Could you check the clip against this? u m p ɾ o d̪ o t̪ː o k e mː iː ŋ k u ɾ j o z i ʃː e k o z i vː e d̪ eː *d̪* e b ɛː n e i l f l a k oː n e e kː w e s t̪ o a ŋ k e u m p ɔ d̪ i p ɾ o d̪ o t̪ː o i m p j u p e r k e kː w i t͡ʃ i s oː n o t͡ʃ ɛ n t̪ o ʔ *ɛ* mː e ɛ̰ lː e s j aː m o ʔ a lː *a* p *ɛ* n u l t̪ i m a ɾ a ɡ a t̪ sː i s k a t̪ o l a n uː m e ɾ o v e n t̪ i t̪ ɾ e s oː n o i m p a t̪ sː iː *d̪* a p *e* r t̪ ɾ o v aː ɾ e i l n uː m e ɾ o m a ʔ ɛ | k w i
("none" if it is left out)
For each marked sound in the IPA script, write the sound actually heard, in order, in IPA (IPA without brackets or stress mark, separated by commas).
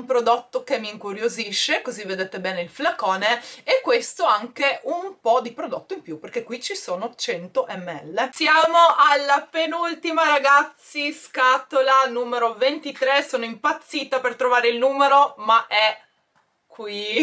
t̪, ɛ, a, e, t̪, e